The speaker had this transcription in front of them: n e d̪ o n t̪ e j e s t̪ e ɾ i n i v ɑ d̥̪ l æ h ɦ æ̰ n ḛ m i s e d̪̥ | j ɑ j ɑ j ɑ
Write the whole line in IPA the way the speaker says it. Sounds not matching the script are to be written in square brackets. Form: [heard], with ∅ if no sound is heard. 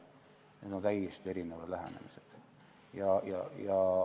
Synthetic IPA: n e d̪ o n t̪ [æ] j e s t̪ e ɾ i n [e] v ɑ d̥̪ l æ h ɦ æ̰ n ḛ m i s e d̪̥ | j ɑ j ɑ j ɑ